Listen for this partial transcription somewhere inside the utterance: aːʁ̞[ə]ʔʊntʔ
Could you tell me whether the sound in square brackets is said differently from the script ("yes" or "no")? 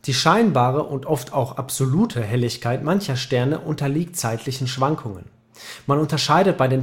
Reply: no